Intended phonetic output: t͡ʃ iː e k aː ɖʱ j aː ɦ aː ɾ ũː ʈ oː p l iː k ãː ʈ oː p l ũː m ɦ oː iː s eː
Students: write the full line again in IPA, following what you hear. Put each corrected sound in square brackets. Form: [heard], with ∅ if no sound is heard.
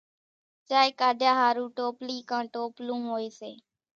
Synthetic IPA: t͡ʃ [aː] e k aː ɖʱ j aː ɦ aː ɾ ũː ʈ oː p l iː k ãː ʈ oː p l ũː m ɦ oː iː s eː